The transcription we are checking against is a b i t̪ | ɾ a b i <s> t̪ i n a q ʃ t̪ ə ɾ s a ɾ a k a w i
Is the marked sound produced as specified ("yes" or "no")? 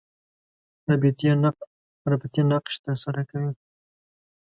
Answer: no